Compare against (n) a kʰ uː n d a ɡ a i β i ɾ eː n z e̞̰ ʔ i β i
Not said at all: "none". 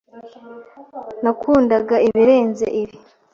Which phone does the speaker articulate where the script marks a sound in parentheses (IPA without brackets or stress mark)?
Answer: n